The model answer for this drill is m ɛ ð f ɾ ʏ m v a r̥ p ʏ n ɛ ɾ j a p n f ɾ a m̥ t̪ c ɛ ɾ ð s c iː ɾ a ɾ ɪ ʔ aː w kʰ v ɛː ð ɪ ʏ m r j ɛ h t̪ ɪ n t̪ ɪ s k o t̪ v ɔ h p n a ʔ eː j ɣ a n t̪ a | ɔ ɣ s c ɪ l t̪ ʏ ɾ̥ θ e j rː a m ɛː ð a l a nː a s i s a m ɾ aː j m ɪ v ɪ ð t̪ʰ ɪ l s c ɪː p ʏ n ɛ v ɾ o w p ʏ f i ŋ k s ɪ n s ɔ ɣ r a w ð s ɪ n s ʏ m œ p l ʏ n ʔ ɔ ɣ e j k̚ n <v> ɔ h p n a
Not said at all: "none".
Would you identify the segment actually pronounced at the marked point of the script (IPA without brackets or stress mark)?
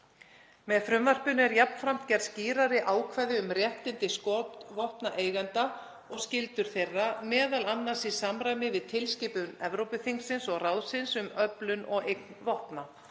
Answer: v